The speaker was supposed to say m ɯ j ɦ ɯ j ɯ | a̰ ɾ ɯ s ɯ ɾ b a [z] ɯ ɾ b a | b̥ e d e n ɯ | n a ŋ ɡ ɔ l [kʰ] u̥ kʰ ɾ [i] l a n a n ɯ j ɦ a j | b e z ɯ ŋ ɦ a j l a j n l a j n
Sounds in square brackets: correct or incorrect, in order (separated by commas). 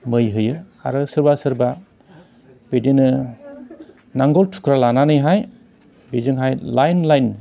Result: incorrect, incorrect, incorrect